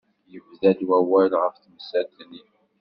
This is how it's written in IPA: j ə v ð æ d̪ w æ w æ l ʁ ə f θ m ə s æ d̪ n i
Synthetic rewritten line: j ə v ð æ d̪ w æ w æ l ʁ ə f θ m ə s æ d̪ n i